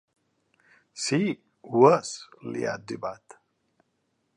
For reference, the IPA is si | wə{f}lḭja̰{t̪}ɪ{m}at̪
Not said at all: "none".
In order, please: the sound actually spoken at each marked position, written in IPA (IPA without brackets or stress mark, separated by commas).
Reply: s, d̪, b